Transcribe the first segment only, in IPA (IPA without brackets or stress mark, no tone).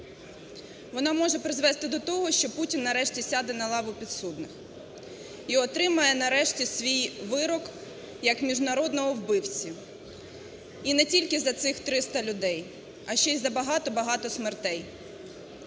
ʋ